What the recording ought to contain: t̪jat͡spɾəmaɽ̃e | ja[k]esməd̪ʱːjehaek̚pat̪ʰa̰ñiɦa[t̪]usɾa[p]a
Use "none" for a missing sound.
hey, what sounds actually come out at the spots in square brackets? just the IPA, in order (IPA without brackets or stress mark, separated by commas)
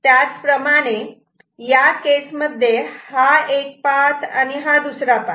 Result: k, d̪, p